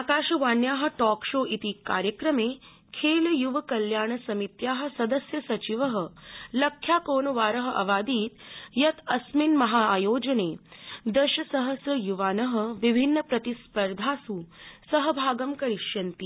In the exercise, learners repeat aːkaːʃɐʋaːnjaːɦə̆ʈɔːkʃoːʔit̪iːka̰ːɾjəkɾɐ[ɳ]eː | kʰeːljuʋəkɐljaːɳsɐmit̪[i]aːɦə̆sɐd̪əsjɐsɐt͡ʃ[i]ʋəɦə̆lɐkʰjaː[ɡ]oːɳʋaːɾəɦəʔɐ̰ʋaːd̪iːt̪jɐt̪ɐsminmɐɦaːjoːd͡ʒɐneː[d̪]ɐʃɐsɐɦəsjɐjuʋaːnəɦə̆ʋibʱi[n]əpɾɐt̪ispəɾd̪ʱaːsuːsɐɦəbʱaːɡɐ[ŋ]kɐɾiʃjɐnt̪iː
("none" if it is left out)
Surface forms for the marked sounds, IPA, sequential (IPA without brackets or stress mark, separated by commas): m, j, i, k, d̪, nː, m